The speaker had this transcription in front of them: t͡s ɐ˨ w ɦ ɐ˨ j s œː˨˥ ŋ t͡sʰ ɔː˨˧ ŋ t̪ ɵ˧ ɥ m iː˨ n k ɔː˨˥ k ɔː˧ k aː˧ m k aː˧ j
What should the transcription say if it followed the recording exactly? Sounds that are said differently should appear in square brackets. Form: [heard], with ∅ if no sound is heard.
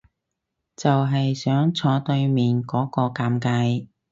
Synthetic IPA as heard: t͡s ɐ˨ w ɦ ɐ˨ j s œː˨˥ ŋ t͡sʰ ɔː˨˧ [∅] t̪ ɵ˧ ɥ m iː˨ n k ɔː˨˥ k ɔː˧ k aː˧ m k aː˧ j